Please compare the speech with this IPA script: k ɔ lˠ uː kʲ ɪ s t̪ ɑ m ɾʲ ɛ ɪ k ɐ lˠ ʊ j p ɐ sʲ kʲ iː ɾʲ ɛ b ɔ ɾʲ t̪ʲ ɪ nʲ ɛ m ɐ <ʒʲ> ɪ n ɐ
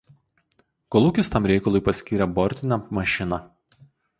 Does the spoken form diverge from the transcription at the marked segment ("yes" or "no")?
yes